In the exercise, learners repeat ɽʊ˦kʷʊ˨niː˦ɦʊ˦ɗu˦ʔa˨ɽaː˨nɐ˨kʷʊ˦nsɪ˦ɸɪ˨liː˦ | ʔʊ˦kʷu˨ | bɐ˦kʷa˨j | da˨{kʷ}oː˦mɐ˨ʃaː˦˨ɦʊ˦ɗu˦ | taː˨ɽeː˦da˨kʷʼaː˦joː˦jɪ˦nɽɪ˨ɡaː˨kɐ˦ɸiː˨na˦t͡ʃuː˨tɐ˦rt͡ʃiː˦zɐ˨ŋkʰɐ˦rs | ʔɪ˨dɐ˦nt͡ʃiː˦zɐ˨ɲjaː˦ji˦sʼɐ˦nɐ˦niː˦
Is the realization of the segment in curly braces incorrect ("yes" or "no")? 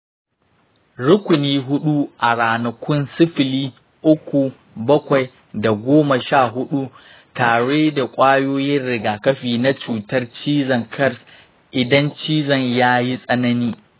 yes